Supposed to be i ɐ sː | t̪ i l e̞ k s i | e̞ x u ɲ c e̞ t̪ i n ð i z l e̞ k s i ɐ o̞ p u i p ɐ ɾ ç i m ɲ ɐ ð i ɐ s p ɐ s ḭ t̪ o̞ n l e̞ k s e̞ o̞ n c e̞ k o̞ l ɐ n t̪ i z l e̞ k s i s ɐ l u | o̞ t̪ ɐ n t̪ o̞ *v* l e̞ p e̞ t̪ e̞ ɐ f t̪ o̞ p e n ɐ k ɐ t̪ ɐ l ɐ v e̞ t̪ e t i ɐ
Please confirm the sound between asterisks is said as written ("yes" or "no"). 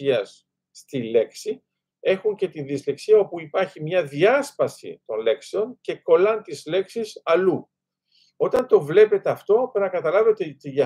yes